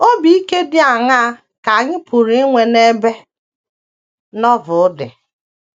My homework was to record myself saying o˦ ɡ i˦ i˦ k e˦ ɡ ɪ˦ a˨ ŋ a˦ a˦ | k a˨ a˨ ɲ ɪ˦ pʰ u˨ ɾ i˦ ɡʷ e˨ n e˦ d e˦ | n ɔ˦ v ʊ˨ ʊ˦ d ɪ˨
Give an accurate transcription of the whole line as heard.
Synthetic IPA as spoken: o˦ b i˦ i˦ k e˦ d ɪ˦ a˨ ŋ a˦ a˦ | k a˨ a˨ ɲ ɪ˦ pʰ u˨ ɾ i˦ ŋʷ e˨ n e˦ b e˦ | n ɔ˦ v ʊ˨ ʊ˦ d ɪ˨